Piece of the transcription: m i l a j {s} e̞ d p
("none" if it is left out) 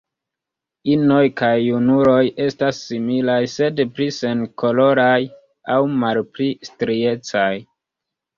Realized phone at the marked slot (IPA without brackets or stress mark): s